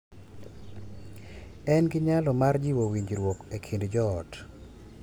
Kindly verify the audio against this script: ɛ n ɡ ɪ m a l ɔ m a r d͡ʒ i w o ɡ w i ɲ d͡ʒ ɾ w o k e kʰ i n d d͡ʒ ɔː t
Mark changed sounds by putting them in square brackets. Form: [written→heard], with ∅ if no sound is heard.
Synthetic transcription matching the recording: ɛ n ɡ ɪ [m→ɲ] a l ɔ m a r d͡ʒ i w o [ɡ→∅] w i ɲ d͡ʒ ɾ w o k e kʰ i n d d͡ʒ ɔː t